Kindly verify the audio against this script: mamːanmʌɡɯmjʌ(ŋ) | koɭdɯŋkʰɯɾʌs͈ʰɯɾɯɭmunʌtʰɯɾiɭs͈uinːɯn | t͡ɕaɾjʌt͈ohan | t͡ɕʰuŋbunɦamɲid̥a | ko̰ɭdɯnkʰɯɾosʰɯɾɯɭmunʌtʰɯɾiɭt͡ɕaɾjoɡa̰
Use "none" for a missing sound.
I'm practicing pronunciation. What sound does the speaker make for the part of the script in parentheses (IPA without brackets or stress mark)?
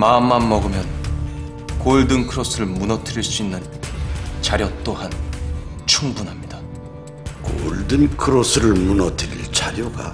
n